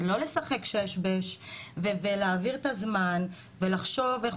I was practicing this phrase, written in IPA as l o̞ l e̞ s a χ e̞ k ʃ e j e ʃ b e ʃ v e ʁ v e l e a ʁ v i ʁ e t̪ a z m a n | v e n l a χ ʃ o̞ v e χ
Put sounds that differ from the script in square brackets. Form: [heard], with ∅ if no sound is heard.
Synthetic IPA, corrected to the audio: l o̞ l e̞ s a χ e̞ k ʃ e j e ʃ b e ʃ v e [∅] v e l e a [∅] v i ʁ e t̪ a z m a n | v e [∅] l a χ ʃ o̞ v e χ